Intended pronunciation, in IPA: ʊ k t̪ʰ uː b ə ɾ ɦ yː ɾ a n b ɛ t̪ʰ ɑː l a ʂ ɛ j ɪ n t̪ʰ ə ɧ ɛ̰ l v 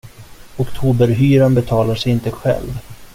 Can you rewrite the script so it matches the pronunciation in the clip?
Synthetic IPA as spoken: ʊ k t̪ʰ uː b ə ɾ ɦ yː ɾ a n b ɛ t̪ʰ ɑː l a ʂ ɛ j ɪ n t̪ ə ɧ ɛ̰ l v